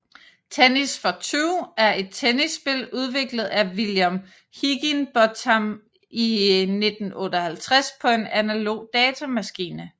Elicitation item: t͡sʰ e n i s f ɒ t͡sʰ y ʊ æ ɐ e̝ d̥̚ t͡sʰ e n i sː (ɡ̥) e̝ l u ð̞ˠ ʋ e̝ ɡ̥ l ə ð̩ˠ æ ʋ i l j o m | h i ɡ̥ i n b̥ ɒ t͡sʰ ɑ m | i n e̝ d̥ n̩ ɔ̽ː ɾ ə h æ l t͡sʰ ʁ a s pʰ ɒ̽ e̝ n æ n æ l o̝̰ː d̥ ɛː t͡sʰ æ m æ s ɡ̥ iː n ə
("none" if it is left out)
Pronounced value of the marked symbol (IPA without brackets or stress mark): b̥